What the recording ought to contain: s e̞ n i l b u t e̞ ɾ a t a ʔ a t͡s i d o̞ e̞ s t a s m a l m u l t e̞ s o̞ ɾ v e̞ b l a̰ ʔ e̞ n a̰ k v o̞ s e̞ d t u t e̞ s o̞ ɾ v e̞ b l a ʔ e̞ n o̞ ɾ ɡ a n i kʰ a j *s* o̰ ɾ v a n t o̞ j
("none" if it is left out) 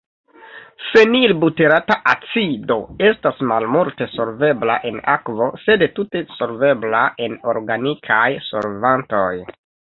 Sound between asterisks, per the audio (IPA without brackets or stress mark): s